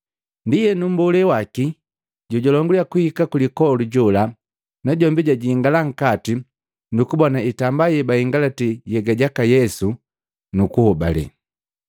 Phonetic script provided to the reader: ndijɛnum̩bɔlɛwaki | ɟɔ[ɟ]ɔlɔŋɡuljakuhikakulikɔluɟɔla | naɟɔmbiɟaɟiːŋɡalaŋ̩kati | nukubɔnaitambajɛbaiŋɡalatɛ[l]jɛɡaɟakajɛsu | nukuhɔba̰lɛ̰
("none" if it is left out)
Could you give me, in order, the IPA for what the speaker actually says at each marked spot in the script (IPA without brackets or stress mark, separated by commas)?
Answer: ɟ, none